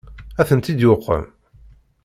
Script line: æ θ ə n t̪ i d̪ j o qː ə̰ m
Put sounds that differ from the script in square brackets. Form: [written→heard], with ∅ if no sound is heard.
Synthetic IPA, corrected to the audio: æ θ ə n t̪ i d̪ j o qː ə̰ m

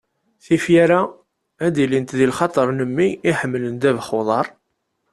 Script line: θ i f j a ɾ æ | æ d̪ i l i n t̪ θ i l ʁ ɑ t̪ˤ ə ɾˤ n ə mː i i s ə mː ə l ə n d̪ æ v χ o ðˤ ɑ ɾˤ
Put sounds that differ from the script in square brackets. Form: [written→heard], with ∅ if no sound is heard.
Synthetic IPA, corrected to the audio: θ i f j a ɾ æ | æ d̪ i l i n t̪ [θ→ð] i l [ʁ→χ] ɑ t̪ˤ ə ɾˤ n ə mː i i [s→ħ] ə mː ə l ə n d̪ æ v χ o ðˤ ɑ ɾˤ

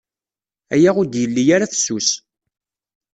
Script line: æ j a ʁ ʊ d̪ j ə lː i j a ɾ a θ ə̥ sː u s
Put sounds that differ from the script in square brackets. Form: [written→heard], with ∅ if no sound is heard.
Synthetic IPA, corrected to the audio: æ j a ʁ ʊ d̪ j ə lː i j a ɾ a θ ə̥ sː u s

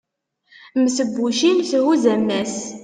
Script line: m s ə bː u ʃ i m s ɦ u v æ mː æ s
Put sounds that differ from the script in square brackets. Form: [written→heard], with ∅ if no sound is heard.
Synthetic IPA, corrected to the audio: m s ə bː u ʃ i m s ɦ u [v→z] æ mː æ s

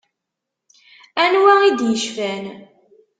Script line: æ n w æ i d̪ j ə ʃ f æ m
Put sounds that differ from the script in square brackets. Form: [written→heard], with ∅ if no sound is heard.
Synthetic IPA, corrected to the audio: æ n w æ i d̪ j ə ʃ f æ [m→n]

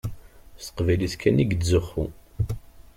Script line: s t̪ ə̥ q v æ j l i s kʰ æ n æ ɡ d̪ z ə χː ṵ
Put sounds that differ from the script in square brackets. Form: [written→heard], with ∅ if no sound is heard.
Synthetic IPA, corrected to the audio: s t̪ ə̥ q v æ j l i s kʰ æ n [æ→i] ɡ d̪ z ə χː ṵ

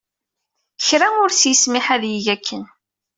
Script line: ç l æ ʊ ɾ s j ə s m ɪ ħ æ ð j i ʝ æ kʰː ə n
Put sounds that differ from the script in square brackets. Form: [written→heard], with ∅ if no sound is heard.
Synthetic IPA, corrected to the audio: ç [l→ɾ] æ ʊ ɾ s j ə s m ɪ ħ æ ð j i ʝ æ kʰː ə n

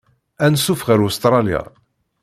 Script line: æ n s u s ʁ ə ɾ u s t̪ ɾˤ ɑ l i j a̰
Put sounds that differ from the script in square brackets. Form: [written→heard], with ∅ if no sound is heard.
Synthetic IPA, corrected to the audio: æ n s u [s→f] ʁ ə ɾ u s t̪ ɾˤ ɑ l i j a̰

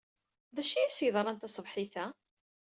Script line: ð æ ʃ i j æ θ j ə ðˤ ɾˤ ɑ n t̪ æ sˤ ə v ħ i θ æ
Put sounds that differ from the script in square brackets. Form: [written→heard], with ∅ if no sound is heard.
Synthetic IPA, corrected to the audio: ð æ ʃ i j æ [θ→s] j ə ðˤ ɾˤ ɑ n t̪ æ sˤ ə v ħ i θ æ

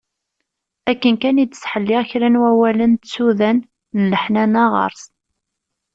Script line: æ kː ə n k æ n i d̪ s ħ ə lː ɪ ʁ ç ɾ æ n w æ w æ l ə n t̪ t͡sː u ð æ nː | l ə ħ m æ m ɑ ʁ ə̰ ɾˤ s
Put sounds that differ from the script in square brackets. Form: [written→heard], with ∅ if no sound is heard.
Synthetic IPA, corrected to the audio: æ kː ə n k æ n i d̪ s ħ ə lː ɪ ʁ ç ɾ æ n w æ w æ l ə n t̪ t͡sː u ð æ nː | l ə ħ [m→n] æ [m→n] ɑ ʁ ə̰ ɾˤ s

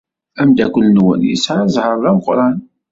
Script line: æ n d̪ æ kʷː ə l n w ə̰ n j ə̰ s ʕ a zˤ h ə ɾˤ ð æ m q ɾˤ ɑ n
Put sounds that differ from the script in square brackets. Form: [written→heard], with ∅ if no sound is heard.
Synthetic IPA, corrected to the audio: æ [n→m] d̪ æ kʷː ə l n w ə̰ n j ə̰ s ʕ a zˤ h ə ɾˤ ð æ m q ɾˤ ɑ n

